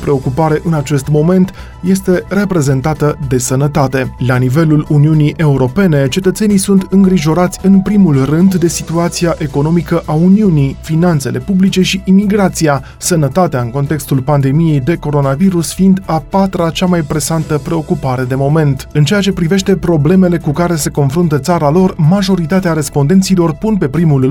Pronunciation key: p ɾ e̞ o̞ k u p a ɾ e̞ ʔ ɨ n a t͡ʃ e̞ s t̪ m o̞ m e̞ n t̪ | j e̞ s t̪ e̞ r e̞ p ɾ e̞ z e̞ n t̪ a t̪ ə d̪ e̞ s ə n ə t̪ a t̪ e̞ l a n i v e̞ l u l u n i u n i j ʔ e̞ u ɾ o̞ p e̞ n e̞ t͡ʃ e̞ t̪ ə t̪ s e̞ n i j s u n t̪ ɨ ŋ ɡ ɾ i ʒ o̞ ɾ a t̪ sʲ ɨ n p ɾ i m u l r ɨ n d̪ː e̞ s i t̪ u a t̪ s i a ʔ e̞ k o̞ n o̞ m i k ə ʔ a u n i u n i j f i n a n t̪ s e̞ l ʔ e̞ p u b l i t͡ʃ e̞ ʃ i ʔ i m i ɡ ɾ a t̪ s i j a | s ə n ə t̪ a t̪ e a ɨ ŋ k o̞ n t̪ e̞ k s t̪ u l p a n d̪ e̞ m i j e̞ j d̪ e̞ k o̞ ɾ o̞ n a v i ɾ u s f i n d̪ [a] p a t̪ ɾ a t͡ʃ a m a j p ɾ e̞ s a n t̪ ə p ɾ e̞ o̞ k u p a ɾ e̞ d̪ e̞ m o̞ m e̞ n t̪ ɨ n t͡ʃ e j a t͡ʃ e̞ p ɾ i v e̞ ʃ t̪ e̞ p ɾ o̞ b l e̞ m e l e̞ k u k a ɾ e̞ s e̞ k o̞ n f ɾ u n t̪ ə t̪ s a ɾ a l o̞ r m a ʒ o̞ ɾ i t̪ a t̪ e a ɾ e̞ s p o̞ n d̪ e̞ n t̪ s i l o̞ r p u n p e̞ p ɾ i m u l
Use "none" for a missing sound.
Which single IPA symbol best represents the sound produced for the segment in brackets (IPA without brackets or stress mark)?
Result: a